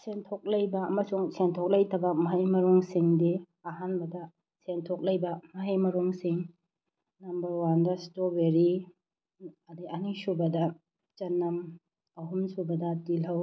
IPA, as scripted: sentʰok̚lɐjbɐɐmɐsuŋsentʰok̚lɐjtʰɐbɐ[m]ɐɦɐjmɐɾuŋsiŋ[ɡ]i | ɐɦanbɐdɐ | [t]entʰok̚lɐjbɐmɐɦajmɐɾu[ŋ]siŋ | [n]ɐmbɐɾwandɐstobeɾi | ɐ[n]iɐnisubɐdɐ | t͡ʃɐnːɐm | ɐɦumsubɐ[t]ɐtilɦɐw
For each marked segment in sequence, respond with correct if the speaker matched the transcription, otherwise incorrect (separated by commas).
correct, incorrect, incorrect, correct, correct, incorrect, incorrect